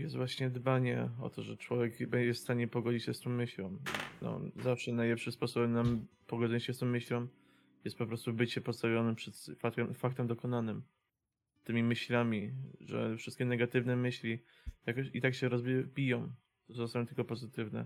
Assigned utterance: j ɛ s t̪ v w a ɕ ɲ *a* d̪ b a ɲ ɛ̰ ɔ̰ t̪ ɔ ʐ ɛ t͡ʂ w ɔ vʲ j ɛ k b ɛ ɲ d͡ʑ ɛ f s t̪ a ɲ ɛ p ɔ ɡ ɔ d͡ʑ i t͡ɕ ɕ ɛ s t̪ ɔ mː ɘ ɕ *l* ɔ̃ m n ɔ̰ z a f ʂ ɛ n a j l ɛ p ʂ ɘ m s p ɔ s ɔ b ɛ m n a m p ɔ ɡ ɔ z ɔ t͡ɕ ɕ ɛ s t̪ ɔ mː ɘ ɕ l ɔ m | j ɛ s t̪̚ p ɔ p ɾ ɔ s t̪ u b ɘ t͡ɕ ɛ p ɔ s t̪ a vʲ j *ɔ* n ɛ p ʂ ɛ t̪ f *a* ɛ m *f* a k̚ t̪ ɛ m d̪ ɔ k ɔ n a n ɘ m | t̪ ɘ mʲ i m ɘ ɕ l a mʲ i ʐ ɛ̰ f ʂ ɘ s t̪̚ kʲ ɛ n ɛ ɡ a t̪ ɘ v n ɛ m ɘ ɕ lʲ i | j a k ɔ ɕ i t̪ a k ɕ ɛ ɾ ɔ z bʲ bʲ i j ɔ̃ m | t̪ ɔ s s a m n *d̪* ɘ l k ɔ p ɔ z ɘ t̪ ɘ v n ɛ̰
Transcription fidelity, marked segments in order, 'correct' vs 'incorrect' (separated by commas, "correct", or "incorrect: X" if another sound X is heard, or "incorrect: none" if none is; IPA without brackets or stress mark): incorrect: ɛ, correct, correct, correct, correct, incorrect: t̪